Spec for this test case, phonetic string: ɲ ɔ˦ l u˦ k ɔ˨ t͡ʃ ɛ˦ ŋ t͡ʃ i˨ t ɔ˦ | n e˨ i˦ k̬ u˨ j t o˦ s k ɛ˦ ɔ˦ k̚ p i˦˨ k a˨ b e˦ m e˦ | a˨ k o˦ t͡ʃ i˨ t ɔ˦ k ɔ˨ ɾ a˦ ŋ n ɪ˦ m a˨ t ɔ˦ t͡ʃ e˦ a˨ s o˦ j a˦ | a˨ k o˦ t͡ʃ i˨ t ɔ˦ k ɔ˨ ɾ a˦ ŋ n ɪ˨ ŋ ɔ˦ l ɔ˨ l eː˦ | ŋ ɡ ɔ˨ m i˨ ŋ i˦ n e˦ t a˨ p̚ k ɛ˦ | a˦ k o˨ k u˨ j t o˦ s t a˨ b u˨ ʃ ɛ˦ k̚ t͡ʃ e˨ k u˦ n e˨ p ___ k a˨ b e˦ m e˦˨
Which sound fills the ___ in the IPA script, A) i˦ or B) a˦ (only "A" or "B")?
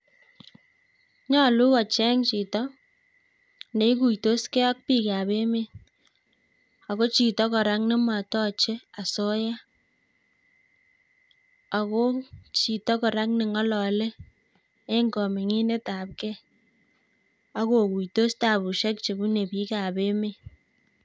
A